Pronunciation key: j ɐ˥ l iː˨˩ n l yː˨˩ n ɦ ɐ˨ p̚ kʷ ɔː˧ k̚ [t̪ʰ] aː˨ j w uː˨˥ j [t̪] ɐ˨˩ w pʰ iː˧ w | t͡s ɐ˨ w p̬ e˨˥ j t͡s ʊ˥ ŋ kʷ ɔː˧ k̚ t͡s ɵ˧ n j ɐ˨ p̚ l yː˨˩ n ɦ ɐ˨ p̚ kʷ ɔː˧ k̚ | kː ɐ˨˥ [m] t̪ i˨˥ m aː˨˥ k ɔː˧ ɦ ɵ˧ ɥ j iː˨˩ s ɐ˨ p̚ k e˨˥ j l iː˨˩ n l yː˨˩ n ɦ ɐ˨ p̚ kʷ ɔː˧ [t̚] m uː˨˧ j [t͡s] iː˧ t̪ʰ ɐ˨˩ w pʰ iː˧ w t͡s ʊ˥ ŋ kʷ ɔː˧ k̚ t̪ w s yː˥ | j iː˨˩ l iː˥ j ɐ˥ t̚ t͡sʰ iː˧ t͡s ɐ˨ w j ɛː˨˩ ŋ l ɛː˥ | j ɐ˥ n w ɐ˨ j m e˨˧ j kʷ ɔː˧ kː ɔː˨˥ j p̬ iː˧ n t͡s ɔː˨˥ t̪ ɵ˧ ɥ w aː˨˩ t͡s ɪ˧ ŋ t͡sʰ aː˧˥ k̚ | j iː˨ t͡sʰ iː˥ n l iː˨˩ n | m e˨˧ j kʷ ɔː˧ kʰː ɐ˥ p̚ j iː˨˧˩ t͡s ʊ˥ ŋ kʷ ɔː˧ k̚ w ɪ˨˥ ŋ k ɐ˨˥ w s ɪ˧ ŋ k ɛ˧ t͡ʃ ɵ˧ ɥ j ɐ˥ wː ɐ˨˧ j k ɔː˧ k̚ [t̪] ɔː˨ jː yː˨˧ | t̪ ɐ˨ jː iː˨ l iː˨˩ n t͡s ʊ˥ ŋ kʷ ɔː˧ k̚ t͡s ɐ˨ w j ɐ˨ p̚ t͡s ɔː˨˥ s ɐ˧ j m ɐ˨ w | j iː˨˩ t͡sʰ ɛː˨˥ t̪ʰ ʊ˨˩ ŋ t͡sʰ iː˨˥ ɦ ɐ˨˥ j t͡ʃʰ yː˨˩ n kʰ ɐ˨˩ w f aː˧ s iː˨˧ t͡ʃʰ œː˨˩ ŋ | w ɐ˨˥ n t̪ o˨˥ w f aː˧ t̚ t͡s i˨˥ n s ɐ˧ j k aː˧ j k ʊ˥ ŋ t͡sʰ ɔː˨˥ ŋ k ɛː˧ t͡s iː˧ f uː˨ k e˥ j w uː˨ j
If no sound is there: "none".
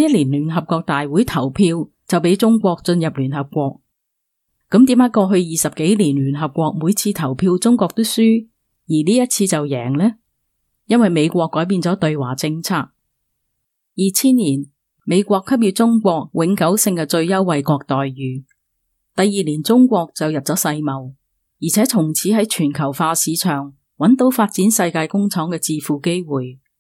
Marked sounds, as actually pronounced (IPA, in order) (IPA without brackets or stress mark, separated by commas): t̪, t̪ʰ, m, k̚, t͡sʰ, t̪